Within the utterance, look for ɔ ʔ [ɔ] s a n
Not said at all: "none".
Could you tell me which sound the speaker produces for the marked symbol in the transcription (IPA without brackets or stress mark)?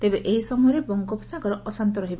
ɔ